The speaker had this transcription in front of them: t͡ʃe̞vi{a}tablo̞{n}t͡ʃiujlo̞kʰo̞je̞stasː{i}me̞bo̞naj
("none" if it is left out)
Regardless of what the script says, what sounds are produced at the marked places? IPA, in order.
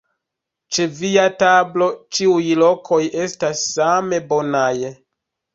a, none, a

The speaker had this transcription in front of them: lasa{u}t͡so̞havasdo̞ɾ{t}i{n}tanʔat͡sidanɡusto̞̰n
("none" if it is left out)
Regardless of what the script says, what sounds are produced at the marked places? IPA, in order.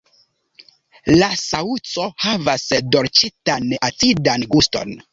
u, t͡ʃ, none

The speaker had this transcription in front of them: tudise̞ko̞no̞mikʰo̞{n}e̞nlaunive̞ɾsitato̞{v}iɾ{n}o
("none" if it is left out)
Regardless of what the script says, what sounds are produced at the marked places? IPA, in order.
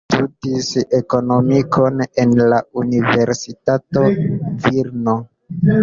n, v, n

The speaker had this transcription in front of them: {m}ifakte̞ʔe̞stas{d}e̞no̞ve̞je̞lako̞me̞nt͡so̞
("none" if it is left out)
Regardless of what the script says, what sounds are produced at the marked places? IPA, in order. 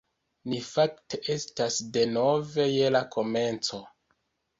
n, d

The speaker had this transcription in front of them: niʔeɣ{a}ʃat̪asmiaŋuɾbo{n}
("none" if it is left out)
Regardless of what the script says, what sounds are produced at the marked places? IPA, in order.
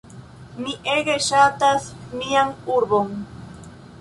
e, ŋ

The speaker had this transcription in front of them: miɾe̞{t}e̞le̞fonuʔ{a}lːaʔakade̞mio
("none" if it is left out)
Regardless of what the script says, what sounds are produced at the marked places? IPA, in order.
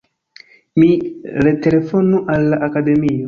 t, a

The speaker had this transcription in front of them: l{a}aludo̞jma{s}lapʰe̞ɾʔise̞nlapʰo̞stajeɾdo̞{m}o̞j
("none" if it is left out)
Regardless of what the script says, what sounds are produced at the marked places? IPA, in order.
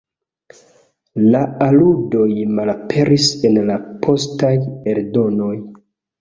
a, none, n

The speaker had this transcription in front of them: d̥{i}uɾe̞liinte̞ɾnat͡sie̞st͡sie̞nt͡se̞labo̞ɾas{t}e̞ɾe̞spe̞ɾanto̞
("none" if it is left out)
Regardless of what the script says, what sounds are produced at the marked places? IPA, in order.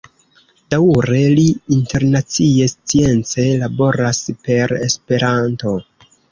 a, p

